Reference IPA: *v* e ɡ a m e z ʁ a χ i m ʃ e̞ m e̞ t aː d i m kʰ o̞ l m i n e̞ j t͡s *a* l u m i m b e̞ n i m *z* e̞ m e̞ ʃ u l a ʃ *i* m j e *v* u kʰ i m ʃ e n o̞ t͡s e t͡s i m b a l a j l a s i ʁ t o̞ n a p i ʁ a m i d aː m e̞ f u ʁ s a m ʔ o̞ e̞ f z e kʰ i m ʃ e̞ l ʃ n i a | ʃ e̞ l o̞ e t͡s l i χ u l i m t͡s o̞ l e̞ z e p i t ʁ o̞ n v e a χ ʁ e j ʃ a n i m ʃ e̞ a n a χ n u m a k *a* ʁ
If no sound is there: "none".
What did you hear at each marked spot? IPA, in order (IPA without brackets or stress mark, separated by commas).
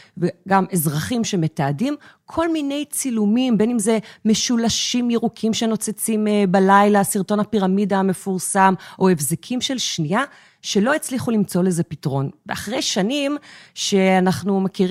v, i, z, i, ʁ, i